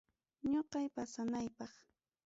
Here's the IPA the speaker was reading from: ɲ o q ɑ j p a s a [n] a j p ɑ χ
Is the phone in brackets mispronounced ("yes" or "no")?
no